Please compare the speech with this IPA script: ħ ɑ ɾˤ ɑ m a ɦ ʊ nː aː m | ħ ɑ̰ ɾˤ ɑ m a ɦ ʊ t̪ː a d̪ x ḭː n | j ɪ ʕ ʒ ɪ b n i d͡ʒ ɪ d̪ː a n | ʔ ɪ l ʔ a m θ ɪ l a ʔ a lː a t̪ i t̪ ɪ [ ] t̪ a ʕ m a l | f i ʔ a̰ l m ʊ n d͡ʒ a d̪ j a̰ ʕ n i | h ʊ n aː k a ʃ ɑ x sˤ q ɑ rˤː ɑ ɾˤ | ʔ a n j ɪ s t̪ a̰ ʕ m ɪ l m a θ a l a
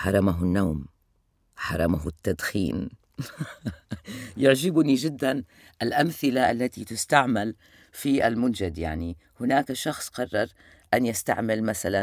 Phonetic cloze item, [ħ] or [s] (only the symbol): s